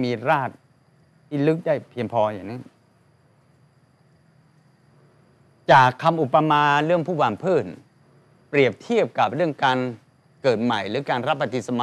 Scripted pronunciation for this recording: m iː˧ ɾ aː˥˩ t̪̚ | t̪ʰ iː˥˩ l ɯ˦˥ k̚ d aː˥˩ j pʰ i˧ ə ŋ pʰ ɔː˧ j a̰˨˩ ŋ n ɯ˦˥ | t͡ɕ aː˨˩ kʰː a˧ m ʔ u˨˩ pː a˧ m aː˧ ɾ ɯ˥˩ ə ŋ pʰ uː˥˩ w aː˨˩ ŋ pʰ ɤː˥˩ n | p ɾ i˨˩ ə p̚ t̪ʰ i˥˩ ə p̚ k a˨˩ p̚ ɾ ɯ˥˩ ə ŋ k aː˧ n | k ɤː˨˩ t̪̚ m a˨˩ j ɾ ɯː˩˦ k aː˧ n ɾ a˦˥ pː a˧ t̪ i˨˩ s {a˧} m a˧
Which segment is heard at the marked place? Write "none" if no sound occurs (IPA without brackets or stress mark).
a˧